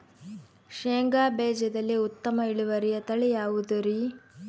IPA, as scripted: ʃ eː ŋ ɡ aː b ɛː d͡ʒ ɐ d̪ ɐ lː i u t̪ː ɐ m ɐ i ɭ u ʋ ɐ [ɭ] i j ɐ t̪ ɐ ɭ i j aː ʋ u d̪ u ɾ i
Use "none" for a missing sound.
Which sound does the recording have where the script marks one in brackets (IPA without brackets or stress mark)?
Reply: ɾ